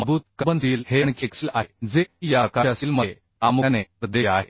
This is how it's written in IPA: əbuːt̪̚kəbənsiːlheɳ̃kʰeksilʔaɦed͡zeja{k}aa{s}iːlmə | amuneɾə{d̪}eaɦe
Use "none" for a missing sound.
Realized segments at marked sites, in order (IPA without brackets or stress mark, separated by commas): k, s, d̪